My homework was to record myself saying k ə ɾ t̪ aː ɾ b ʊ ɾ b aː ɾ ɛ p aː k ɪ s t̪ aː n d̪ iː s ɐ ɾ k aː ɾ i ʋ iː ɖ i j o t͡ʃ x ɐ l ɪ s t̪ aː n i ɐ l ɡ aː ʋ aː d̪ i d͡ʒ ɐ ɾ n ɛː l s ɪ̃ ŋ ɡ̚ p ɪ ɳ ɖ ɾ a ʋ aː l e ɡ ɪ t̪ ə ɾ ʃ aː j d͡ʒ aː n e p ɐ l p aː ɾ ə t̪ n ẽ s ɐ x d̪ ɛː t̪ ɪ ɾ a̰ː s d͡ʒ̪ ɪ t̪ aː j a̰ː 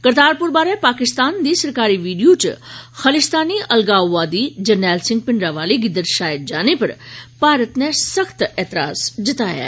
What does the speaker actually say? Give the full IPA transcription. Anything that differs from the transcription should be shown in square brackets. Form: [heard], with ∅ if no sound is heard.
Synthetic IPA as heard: k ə ɾ t̪ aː ɾ [p] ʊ ɾ b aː ɾ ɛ p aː k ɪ s t̪ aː n d̪ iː s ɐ ɾ k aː ɾ i ʋ iː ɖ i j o t͡ʃ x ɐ l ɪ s t̪ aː n i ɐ l ɡ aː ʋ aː d̪ i d͡ʒ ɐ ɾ n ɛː l s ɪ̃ ŋ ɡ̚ p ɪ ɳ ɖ ɾ a ʋ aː l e ɡ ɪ [d̪] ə ɾ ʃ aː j d͡ʒ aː n e p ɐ [ɾ] p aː ɾ ə t̪ n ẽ s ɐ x [t̪] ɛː t̪ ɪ ɾ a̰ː s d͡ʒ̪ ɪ t̪ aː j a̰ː

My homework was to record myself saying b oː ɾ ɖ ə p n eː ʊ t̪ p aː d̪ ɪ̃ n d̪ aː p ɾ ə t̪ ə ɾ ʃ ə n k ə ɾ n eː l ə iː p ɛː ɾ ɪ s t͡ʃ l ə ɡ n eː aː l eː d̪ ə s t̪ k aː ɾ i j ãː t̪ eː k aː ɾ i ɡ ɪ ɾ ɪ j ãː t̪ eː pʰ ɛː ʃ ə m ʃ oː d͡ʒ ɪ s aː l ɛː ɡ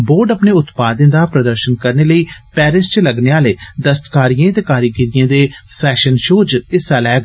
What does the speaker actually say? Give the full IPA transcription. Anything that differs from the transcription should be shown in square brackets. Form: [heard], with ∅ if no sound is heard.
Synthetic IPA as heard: b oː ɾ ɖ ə p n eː ʊ t̪ p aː d̪ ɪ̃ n d̪ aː p ɾ ə [d̪] ə ɾ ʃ ə n k ə ɾ n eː l ə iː p ɛː ɾ ɪ s t͡ʃ l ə ɡ n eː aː l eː d̪ ə s t̪ k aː ɾ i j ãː t̪ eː k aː ɾ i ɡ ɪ ɾ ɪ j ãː [d̪] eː pʰ ɛː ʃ ə [n] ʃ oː d͡ʒ ɪ s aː l ɛː ɡ

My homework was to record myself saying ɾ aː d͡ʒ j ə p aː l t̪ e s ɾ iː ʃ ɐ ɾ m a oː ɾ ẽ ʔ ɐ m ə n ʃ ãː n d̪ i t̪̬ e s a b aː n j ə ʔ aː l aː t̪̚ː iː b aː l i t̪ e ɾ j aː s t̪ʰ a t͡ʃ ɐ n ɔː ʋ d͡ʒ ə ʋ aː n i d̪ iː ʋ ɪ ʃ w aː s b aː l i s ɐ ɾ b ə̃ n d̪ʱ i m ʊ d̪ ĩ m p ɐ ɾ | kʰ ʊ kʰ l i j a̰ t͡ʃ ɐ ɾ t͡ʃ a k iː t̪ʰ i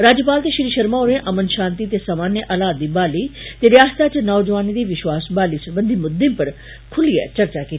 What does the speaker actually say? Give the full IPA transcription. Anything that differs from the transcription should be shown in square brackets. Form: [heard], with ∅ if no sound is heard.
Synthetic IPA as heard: ɾ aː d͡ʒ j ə p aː l t̪ e [ʃ] ɾ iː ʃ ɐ ɾ m a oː ɾ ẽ ʔ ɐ m ə n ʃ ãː n [t̪] i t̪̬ e s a [m] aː n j ə ʔ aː l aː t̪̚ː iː b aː l i t̪ e ɾ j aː s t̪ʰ a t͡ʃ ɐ n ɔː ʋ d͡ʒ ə ʋ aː n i d̪ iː ʋ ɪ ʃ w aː s b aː l i s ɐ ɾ b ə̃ n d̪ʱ i m ʊ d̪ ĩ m p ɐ ɾ | kʰ ʊ [∅] l i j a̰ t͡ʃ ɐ ɾ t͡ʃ a k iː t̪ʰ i

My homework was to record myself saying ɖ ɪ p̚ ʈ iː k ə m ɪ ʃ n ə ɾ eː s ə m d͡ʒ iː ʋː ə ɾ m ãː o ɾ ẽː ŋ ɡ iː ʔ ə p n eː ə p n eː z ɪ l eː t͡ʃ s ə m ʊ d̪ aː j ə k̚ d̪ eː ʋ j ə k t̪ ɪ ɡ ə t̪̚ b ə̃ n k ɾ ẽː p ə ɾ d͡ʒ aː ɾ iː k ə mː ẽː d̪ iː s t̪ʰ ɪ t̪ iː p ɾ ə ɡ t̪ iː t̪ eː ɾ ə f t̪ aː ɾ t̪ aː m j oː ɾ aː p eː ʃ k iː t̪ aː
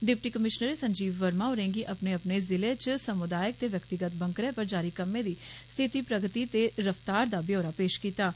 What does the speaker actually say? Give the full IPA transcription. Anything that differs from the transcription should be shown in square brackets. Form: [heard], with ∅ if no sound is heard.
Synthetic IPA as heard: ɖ ɪ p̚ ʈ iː k ə m ɪ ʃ n ə ɾ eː s ə [ɲ] d͡ʒ iː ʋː ə ɾ m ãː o ɾ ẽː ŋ ɡ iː ʔ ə p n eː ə p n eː z ɪ l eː t͡ʃ s ə m ʊ d̪ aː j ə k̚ [t̪] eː ʋ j ə k t̪ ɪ ɡ ə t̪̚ b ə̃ [ŋ] k ɾ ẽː p ə ɾ d͡ʒ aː ɾ iː k ə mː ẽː d̪ iː s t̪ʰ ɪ t̪ iː p ɾ ə ɡ t̪ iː t̪ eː ɾ ə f t̪ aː ɾ [d̪] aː [b] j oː ɾ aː p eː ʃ k iː t̪ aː

